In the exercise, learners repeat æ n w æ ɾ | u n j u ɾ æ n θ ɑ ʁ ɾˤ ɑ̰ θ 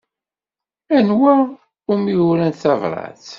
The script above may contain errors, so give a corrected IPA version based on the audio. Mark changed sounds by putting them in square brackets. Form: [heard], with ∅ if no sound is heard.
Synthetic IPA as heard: æ n w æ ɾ | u [m] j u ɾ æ n θ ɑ [v] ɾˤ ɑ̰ θ